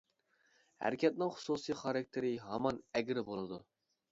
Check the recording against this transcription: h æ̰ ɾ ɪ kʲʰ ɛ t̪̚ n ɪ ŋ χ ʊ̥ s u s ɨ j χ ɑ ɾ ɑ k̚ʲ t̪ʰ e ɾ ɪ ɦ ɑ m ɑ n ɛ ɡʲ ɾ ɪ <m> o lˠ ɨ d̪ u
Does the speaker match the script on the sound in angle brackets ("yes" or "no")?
no